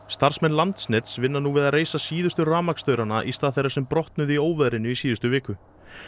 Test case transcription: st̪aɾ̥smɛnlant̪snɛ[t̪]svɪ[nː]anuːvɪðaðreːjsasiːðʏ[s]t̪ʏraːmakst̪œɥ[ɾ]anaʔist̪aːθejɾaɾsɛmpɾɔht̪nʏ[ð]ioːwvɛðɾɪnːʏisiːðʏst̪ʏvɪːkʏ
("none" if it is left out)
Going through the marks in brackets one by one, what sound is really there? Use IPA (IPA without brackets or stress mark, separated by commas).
t̪, nː, s, ɾ, ð